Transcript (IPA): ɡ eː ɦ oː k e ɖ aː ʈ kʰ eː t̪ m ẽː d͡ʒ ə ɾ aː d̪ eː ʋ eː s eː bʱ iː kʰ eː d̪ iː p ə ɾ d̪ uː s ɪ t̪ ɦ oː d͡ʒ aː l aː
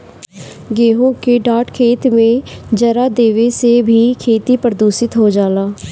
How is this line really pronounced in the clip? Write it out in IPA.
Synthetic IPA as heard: ɡ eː ɦ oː k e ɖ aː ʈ kʰ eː t̪ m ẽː d͡ʒ ə ɾ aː d̪ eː ʋ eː s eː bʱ iː kʰ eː t̪ iː p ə ɾ d̪ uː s ɪ t̪ ɦ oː d͡ʒ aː l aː

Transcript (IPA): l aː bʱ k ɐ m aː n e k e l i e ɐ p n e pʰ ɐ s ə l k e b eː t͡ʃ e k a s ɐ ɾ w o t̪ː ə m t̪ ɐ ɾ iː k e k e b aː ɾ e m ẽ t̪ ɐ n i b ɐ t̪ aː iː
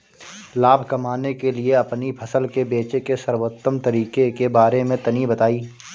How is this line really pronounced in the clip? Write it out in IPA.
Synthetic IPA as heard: l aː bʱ k ɐ m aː n e k e l i e ɐ p n i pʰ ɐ s ə l k e b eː t͡ʃ e k e s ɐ ɾ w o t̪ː ə m t̪ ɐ ɾ iː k e k e b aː ɾ e m ẽ t̪ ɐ n i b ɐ t̪ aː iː

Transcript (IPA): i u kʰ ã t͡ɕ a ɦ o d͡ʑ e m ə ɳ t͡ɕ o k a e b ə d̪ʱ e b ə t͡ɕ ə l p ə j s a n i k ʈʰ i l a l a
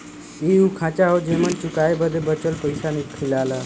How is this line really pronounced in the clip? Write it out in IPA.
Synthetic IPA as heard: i u kʰ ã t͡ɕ a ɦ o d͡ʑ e m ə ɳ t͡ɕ u k a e b ə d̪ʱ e b ə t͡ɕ ə l p ə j s a n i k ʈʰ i l a l a

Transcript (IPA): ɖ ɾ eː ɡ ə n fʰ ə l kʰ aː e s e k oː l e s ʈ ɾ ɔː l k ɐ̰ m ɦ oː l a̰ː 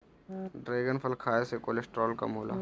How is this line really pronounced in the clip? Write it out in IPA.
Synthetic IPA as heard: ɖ ɾ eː ɡ ə n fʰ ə l kʰ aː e s e k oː l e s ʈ ɾ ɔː l k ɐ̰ m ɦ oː l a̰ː

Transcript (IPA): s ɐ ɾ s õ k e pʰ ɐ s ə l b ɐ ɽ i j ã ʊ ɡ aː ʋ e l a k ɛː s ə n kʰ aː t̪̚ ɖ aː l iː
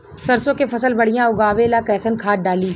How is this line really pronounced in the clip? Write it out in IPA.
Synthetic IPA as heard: s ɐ ɾ s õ k e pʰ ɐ s ə l b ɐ ɽ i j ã ʊ ɡ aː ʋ e l a k ɛː s ə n kʰ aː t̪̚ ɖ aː l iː

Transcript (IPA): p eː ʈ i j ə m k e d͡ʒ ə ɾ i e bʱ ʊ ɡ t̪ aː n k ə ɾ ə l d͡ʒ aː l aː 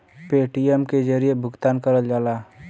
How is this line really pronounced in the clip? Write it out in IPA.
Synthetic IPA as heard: p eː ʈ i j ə m k e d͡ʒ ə ɾ i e bʱ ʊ ɡ t̪ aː n k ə ɾ ə l d͡ʒ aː l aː

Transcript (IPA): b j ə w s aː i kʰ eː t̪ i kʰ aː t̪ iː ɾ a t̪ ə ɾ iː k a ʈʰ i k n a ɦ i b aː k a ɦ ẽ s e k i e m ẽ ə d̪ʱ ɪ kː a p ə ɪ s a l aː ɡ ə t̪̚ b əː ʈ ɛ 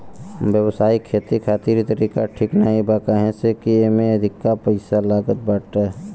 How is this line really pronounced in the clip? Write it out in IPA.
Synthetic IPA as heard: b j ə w s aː i kʰ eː t̪ i kʰ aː t̪ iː ɾ i t̪ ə ɾ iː k a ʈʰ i k n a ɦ i b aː k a ɦ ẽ s e k i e m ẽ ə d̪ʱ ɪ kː a p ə ɪ s a l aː ɡ ə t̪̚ b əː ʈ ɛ

